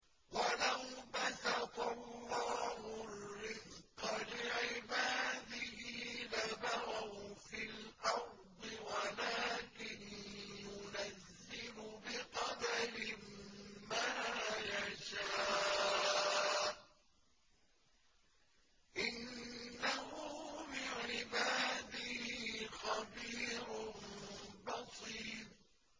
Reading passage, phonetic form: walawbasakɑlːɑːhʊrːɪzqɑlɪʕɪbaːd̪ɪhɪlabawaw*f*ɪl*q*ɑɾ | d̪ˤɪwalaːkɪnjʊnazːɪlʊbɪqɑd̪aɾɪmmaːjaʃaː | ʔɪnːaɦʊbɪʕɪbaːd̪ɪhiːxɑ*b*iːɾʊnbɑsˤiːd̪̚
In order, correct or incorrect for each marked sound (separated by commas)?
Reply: correct, incorrect, correct